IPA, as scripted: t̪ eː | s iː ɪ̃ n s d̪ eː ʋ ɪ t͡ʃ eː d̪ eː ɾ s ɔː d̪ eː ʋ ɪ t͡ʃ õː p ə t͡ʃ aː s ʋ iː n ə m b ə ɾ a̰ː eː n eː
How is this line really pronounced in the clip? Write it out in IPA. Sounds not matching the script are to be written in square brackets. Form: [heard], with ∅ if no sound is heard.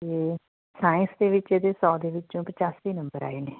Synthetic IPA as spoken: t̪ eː | s [aː] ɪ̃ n s d̪ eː ʋ ɪ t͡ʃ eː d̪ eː [∅] s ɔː d̪ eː ʋ ɪ t͡ʃ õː p ə t͡ʃ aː s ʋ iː n ə m b ə ɾ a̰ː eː n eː